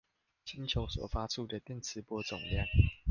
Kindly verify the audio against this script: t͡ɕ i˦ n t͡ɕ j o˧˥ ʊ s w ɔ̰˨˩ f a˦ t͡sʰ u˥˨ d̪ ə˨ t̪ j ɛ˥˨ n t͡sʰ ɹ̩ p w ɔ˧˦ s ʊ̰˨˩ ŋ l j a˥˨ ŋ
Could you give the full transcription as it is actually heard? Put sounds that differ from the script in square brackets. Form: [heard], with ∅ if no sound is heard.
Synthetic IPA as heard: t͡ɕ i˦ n [t͡ɕʰ] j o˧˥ ʊ s w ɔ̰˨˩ f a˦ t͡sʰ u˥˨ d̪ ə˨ t̪ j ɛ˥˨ n t͡sʰ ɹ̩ p w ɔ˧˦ [t͡s] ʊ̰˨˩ ŋ l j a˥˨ ŋ